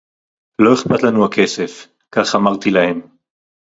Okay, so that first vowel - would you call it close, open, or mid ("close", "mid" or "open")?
mid